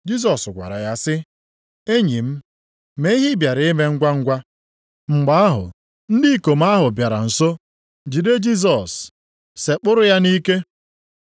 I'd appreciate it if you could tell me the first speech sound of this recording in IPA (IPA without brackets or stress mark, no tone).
d͡ʒ